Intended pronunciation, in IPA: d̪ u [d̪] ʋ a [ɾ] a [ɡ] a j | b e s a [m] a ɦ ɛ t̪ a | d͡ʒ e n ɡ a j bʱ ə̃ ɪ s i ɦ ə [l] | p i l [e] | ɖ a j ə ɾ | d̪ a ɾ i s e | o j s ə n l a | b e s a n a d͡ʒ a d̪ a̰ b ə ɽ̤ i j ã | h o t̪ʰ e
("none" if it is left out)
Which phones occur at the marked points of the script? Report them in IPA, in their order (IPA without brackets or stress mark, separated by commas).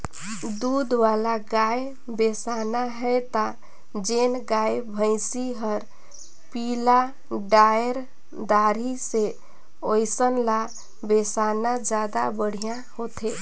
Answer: d̪, l, ɡ, n, ɾ, a